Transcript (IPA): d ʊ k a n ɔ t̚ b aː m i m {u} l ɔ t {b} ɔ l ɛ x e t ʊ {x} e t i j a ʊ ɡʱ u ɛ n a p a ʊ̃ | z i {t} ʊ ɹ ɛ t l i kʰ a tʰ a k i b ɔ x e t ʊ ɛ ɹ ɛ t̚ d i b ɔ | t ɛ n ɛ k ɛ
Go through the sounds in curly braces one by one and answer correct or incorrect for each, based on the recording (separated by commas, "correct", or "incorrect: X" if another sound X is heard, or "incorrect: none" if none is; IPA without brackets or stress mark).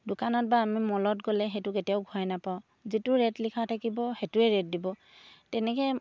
incorrect: ɔ, incorrect: ɡ, incorrect: k, correct